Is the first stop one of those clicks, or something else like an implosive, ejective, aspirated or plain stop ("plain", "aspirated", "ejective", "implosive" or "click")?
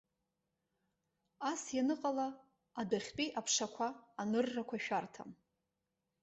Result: ejective